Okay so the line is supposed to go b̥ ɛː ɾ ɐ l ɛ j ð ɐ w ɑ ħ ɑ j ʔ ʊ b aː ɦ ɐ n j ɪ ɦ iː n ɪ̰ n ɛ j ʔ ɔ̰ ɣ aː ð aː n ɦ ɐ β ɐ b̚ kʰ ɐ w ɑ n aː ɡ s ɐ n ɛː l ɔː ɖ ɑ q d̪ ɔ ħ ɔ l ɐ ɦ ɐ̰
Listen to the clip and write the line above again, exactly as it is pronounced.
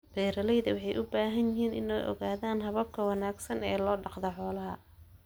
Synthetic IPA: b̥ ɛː ɾ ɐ l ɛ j ð ɐ w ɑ ħ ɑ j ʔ ʊ b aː ɦ ɐ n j ɪ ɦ iː n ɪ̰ n ɛ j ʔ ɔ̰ ɣ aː ð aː n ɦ ɐ β ɐ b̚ kʰ ɐ w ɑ n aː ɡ s ɐ n ɛː l ɔː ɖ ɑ q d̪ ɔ ħ ɔː l ɐ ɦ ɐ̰